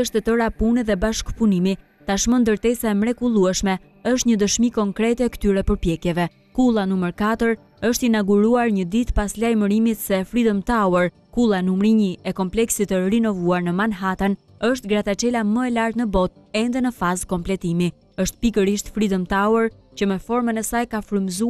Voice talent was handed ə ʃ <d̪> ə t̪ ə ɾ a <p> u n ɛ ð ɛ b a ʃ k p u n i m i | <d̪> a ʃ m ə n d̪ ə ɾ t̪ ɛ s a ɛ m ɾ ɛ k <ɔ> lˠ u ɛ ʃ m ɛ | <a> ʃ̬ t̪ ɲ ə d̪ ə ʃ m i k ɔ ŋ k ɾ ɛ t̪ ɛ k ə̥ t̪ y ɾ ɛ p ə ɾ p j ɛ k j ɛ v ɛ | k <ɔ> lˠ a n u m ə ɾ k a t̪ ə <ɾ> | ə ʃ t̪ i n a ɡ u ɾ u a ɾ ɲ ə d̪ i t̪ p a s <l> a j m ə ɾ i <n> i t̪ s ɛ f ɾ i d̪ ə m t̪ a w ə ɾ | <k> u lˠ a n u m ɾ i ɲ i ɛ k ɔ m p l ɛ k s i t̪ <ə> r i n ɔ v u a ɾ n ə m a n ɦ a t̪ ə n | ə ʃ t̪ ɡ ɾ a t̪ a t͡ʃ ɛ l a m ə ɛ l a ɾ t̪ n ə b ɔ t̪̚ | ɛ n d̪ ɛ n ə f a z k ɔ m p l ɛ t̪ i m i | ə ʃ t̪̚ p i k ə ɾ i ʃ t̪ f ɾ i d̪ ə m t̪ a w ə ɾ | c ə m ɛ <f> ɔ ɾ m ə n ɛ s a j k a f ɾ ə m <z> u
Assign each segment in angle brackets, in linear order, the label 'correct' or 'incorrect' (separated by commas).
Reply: incorrect, correct, incorrect, incorrect, incorrect, incorrect, correct, correct, incorrect, correct, correct, correct, correct